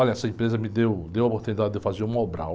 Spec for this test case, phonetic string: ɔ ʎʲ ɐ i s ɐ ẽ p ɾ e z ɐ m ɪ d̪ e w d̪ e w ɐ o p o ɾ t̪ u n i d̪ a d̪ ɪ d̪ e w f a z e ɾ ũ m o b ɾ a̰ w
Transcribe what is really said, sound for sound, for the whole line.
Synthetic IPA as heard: ɔ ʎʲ ɐ ɛ s ɐ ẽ p ɾ e z ɐ m ɪ d̪ e w d̪ e w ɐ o p o ɾ t̪ u n i d̪ a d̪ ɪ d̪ e w f a z e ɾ ũ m o b ɾ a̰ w